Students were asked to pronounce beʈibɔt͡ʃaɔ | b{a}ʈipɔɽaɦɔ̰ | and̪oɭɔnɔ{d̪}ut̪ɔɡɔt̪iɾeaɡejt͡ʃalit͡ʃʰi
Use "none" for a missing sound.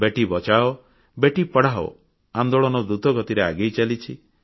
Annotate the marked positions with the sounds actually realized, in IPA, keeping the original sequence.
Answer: e, d̪

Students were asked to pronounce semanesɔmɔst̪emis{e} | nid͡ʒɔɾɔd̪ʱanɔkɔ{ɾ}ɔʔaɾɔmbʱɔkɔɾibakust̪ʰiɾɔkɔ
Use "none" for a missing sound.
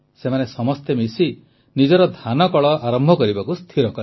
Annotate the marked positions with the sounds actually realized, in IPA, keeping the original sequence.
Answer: i, ɭ

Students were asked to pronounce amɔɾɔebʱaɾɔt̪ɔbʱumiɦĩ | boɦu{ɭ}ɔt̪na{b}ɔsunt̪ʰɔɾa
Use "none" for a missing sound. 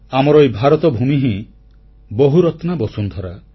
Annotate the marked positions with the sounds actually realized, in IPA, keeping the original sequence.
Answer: ɾ, b

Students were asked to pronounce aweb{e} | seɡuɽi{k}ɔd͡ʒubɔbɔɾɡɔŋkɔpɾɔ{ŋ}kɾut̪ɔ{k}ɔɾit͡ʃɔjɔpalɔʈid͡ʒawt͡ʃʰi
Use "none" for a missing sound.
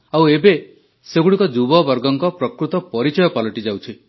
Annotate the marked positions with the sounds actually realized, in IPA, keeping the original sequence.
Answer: e, k, none, p

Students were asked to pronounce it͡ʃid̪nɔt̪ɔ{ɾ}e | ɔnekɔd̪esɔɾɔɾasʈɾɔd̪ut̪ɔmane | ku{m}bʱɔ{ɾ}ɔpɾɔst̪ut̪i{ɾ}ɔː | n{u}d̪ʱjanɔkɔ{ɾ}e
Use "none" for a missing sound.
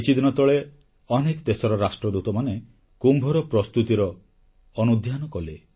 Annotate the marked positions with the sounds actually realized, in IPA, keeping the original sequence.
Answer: ɭ, m, ɾ, ɾ, u, l

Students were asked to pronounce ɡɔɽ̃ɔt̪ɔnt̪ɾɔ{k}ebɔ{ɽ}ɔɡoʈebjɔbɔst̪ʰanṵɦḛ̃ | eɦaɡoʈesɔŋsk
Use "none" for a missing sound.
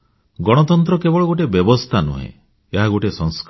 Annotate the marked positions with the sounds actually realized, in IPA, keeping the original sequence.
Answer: k, ɭ

